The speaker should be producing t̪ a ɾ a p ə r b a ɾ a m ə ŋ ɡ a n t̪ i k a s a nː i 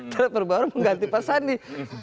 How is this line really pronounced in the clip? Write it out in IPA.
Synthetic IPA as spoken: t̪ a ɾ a p ə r b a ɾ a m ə ŋ ɡ a n t̪ i p a s a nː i